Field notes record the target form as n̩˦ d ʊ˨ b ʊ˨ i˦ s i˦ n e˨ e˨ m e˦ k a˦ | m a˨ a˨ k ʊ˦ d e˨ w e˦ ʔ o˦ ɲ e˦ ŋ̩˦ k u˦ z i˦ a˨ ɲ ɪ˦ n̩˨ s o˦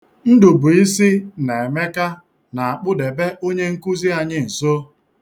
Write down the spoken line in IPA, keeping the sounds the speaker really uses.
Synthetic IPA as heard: n̩˦ d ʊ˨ b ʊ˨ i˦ s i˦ n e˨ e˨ m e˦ k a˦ | n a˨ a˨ k͡p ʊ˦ d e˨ b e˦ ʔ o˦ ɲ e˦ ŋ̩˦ k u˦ z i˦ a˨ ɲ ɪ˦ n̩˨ s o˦